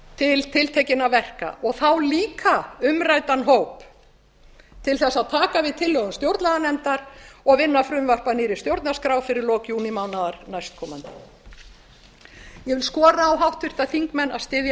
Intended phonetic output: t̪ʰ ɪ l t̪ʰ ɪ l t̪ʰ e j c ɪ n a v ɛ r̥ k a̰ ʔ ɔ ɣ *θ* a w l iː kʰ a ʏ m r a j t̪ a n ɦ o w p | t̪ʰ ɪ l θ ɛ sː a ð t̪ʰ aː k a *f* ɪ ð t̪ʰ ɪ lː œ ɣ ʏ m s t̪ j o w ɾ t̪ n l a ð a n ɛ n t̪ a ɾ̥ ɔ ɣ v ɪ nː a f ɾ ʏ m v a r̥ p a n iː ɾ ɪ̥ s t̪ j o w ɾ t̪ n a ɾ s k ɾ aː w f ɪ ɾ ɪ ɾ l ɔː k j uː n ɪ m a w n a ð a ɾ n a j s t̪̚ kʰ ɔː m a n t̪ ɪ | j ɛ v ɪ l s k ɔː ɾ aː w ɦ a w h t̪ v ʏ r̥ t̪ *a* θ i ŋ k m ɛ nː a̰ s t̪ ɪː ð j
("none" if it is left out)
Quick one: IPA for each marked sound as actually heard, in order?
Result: θ, v, a

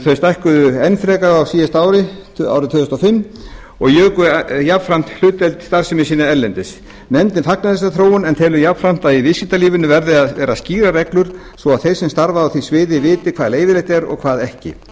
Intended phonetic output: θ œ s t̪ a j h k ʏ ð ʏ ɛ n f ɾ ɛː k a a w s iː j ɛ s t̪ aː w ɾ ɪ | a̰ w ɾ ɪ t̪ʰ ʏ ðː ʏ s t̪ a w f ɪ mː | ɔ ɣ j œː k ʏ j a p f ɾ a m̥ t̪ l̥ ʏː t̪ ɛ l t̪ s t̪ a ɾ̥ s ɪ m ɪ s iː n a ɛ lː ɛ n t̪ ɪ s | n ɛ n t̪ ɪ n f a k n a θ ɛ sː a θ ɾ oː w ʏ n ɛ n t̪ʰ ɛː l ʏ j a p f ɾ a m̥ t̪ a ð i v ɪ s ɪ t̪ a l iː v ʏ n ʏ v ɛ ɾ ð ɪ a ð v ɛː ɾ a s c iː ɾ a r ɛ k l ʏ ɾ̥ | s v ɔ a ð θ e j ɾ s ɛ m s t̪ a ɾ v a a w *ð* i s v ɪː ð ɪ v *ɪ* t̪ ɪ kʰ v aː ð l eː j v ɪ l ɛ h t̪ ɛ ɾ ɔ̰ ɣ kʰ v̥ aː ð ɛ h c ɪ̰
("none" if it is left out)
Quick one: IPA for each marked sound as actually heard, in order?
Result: θ, ɪː

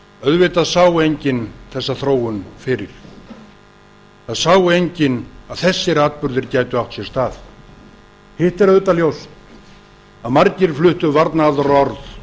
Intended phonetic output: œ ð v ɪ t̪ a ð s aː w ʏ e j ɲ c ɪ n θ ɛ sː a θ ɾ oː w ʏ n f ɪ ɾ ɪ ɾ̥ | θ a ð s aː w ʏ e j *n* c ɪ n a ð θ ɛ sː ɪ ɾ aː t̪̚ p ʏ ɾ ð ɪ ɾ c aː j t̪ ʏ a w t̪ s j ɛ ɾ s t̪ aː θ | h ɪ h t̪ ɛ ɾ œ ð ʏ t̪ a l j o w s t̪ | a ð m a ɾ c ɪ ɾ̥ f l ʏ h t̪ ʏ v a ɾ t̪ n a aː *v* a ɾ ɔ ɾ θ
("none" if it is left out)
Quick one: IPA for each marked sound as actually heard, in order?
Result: ɲ, ð

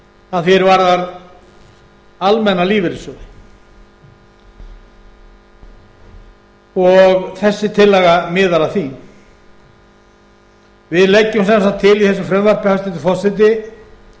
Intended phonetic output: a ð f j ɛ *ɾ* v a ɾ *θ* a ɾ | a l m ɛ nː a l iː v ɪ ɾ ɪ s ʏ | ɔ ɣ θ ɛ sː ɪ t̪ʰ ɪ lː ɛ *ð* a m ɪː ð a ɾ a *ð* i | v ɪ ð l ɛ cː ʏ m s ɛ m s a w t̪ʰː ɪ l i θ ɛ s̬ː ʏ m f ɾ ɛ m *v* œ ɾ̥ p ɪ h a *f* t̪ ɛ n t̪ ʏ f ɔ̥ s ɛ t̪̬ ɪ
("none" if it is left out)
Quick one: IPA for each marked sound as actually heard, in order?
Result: ɾ, ð, ɣ, θ, v, s

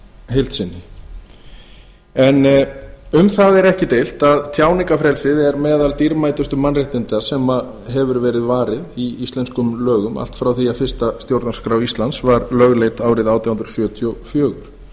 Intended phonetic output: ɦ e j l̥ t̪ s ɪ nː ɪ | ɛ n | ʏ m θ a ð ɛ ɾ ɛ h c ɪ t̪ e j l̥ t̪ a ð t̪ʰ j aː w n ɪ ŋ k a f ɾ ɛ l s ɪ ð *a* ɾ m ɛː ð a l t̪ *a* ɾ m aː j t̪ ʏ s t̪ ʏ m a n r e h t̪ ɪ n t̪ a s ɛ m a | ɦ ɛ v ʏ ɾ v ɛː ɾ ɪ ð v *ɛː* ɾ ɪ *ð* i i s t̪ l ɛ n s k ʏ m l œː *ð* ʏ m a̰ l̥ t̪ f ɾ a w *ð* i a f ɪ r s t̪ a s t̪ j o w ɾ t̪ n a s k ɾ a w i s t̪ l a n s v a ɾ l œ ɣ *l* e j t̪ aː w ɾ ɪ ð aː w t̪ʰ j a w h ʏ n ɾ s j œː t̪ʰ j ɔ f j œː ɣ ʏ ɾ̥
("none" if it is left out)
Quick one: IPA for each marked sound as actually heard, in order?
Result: ɛ, i, aː, ð, ɣ, θ, l

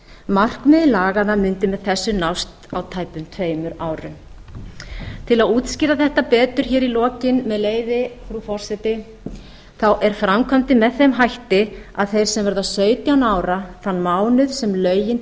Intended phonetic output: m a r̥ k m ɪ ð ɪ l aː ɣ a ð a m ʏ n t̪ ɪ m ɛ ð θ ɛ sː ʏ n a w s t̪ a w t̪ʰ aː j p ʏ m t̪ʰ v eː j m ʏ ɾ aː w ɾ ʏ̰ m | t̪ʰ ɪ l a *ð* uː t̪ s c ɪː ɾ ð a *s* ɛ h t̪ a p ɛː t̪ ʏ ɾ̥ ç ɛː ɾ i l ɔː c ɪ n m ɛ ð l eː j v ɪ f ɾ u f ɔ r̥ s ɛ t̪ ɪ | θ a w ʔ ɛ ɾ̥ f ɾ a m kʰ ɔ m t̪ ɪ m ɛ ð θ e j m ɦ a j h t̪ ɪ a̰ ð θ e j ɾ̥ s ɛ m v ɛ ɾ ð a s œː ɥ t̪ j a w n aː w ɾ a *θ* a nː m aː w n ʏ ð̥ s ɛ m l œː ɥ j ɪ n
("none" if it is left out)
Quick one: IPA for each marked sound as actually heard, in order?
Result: ð, θ, θ

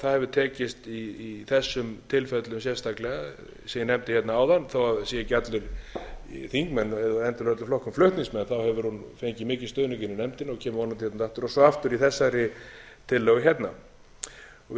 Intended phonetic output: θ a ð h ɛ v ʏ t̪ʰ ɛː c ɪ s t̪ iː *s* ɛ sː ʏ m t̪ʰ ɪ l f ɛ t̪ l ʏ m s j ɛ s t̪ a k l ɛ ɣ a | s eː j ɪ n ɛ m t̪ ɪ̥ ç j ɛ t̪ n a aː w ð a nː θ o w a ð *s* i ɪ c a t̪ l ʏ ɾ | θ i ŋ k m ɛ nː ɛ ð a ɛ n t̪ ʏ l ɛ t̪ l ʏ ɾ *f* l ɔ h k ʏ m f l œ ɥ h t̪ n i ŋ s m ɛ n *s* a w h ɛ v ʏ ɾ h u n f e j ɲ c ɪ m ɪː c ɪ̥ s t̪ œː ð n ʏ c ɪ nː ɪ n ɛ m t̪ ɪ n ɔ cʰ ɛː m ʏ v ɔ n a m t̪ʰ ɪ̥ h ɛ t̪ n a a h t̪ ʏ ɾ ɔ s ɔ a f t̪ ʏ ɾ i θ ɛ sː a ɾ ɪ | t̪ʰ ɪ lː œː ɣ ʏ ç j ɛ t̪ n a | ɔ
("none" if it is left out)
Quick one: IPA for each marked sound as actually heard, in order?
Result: θ, s, f, θ

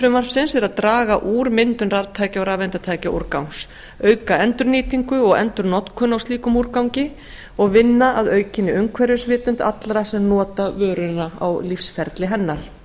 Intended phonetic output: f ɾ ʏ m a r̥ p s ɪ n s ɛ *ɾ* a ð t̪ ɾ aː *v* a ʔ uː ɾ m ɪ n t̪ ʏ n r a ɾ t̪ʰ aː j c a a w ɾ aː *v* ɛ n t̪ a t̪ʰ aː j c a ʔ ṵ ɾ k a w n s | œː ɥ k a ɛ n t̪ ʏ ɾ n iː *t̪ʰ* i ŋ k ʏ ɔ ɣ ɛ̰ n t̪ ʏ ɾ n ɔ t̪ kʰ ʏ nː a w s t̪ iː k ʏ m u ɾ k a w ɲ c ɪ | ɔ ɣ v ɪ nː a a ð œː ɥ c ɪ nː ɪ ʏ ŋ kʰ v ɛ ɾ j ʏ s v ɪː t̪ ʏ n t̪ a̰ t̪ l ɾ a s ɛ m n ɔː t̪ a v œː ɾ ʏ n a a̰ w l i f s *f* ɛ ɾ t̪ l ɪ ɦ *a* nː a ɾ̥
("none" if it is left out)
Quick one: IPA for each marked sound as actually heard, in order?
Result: ɾ, ɣ, v, t̪, f, ɛ

